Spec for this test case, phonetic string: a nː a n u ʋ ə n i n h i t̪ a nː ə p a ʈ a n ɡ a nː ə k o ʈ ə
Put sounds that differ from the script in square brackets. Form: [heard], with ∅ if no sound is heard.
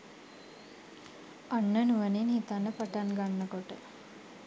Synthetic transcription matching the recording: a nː [ə] n u ʋ ə n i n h i t̪ a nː ə p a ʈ a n ɡ a nː ə k o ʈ ə